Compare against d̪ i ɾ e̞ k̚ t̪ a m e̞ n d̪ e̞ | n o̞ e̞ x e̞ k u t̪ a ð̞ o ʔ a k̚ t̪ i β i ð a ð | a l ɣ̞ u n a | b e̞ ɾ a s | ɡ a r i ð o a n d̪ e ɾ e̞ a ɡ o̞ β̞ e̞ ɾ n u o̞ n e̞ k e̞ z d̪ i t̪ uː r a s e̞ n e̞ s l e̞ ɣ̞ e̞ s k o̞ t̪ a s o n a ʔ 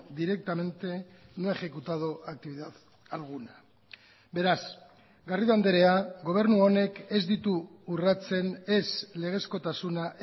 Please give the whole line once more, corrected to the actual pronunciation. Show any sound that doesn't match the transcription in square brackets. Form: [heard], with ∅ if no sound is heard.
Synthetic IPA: d̪ i ɾ e̞ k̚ t̪ a m e̞ n [t̪] e̞ | n o̞ e̞ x e̞ k u t̪ a ð̞ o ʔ a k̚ t̪ i β i ð a ð | a l ɣ̞ u n a | b e̞ ɾ a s | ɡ a r i ð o a n d̪ e ɾ e̞ a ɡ o̞ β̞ e̞ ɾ n u o̞ n e̞ k e̞ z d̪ i t̪ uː r a [t͡s] e̞ n e̞ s l e̞ ɣ̞ e̞ s k o̞ t̪ a s [u] n a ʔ